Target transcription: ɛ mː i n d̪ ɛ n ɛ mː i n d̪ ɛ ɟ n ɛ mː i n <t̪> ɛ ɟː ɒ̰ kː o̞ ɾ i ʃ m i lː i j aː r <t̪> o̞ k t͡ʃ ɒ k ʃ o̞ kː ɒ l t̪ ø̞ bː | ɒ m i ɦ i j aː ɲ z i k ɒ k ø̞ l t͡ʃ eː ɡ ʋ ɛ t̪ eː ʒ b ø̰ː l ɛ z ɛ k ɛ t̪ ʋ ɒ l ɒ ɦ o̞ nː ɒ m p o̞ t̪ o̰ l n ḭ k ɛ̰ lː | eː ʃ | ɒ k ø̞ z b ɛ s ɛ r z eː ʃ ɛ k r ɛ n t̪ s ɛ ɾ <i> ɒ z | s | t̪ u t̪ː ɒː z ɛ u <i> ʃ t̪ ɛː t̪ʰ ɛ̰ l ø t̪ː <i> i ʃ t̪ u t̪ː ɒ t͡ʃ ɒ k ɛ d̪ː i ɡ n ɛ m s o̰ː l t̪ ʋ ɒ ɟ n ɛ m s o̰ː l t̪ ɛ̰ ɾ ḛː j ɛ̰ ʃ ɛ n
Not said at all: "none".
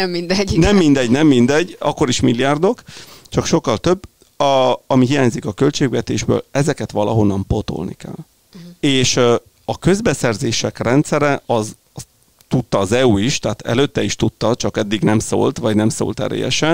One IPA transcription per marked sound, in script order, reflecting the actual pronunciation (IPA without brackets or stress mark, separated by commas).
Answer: d̪, d̪, ɛ, i, ɛ